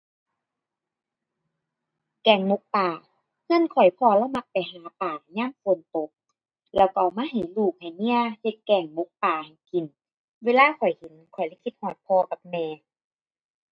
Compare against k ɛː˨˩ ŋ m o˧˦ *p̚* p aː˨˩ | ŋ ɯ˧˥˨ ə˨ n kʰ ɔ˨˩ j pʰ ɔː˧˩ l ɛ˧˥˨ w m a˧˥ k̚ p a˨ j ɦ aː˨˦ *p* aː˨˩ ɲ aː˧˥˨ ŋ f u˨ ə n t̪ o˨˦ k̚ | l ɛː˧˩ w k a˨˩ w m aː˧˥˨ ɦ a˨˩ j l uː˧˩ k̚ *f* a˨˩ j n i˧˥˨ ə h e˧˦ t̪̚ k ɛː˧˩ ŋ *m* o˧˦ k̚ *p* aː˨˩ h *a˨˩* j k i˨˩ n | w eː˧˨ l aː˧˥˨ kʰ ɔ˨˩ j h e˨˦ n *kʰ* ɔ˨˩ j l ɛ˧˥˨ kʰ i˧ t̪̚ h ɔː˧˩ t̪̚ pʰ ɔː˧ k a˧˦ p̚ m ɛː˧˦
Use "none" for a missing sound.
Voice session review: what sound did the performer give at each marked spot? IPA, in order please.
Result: k̚, p, h, m, p, a˨˩, kʰ

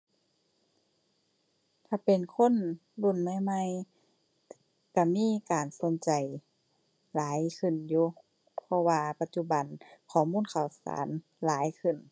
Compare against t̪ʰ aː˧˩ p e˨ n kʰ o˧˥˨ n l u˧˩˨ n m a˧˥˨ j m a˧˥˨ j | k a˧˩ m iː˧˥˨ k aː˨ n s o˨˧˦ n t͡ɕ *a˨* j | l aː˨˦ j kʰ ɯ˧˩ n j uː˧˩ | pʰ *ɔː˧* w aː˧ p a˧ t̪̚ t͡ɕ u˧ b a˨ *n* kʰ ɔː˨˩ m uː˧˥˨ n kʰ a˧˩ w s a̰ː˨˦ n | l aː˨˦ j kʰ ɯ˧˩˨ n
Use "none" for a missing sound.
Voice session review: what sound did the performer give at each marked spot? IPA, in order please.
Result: a˨, ɔ˧, n

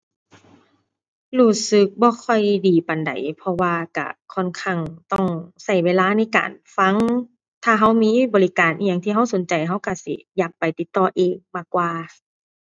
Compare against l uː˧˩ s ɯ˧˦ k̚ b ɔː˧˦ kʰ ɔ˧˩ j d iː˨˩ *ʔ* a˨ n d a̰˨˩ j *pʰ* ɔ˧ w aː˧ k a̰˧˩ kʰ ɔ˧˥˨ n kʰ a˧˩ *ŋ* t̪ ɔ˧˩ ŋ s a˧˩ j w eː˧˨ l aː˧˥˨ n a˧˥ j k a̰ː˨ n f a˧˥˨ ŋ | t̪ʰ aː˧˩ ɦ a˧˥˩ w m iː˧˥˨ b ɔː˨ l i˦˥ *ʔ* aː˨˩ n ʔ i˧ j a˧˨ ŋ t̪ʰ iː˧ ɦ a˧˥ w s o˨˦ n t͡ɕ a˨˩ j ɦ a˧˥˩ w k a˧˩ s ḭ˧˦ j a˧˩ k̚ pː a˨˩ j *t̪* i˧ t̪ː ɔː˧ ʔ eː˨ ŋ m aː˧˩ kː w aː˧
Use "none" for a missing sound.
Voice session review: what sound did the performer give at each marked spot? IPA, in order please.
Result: p, pʰ, ŋ, k, t̪

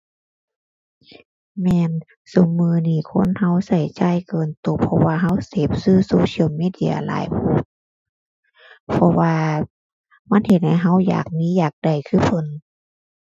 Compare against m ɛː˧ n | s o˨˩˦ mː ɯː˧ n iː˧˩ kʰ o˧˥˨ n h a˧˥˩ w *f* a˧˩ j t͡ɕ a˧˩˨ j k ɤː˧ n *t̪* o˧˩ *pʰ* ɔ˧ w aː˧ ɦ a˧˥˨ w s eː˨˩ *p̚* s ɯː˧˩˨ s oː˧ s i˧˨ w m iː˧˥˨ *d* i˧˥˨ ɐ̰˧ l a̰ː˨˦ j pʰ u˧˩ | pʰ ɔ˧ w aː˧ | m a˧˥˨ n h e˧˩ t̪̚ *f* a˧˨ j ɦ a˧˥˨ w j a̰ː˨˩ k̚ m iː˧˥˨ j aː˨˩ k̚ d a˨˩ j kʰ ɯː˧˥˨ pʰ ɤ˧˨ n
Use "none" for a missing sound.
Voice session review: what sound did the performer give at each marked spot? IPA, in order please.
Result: s, t̪, pʰ, p̚, d, h

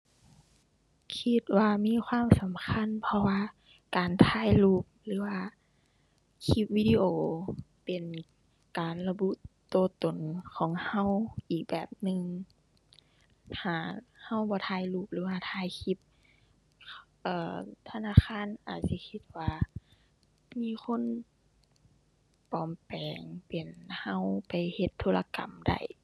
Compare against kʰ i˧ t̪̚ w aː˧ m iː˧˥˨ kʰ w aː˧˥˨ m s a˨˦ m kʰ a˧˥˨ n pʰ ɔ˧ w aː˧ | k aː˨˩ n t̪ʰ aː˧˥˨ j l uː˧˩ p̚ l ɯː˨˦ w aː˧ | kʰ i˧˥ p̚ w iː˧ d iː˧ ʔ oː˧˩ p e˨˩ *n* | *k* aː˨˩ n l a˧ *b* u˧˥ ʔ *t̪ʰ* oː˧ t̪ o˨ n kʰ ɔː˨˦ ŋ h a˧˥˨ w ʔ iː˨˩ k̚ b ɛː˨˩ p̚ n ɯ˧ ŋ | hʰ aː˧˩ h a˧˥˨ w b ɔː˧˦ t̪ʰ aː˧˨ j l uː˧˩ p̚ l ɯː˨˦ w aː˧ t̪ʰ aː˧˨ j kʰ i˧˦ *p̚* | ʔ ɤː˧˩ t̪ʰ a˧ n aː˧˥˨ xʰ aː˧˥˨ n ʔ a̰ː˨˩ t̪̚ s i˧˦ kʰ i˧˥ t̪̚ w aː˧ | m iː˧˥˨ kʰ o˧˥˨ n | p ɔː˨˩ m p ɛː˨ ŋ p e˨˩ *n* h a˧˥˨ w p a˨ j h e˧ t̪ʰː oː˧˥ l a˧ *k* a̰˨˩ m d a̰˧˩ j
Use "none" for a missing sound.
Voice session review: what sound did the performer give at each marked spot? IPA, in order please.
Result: n, k, b, t̪, p̚, n, k

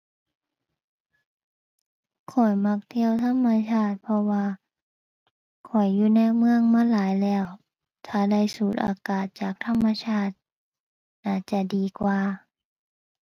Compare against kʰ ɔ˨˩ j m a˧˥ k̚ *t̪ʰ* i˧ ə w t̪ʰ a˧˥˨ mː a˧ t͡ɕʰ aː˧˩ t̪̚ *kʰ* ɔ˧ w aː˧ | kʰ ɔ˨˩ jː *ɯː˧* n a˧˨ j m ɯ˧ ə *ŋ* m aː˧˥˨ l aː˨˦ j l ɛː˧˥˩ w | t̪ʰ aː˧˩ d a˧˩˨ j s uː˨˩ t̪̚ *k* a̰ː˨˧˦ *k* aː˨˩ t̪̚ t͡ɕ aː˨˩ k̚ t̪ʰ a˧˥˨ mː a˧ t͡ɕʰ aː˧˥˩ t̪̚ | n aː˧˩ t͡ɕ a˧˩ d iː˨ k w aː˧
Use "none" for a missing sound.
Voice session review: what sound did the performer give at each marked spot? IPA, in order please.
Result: t̪ʰ, pʰ, uː˧, ŋ, ʔ, k

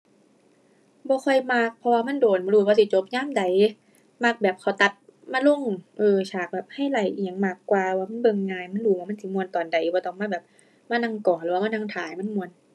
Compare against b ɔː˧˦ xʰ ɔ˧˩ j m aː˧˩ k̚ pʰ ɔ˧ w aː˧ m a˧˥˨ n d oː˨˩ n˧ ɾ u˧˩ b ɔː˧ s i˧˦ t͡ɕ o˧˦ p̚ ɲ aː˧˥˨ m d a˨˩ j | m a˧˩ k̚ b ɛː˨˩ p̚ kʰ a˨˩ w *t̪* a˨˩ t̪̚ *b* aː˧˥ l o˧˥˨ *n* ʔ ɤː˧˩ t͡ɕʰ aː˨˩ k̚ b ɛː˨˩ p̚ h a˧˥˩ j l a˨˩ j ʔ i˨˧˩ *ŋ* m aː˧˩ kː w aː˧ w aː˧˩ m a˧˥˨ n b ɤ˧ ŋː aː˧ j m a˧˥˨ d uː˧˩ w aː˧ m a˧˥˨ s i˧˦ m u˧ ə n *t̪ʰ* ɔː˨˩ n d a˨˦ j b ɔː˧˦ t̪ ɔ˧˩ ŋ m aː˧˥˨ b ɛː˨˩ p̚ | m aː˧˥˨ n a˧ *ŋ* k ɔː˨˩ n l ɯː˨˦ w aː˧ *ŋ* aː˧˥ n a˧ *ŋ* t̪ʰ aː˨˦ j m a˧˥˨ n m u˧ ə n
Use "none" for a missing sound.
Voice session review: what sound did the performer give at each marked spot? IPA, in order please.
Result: t̪, m, ŋ, ŋ, t̪, ŋ, m, ŋ

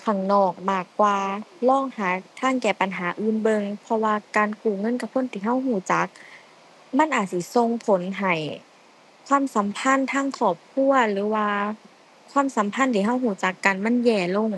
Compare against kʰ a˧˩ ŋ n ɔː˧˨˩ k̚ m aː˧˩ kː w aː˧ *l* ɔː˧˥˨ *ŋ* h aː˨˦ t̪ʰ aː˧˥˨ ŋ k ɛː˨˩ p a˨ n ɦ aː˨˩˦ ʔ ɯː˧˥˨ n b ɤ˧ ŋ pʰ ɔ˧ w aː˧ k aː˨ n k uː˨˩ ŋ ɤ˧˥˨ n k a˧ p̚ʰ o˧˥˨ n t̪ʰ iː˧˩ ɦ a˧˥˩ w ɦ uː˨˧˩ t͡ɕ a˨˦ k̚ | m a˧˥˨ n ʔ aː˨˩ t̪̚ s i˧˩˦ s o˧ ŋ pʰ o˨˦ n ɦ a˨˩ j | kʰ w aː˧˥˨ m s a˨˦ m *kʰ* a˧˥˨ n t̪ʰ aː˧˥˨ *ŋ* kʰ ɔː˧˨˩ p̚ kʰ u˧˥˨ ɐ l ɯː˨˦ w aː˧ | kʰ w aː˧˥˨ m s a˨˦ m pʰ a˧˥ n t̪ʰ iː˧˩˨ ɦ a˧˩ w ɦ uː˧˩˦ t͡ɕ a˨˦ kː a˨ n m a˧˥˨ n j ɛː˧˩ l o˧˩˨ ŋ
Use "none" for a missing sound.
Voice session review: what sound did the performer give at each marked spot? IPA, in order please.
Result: l, ŋ, pʰ, ŋ

